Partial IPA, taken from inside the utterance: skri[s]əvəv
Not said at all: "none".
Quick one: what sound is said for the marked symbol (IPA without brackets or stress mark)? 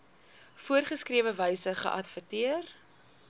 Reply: none